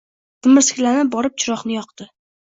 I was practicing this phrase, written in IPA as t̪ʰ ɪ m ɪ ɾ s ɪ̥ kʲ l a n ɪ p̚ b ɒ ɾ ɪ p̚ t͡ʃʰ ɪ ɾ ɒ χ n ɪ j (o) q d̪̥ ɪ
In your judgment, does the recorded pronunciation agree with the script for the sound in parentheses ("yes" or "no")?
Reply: no